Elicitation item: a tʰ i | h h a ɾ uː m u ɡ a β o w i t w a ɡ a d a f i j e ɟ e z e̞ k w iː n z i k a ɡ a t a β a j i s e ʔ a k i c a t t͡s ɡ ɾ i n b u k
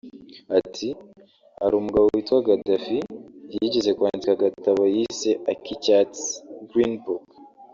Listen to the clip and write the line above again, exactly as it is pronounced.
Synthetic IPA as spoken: a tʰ i | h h a ɾ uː m u ɡ a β o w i t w a ɡ a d a f i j i ɟ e z e̞ k w aː n z i k a ɡ a t a β a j i s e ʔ a k i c a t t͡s ɡ ɾ i n b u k